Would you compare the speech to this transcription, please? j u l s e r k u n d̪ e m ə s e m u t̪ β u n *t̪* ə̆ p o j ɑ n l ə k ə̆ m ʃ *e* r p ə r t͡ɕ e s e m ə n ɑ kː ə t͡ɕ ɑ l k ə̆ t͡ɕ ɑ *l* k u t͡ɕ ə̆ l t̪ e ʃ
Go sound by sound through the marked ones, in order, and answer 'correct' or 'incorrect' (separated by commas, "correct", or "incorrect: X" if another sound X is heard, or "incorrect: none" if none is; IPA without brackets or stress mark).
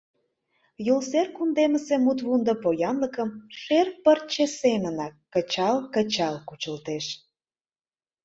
incorrect: d̪, correct, correct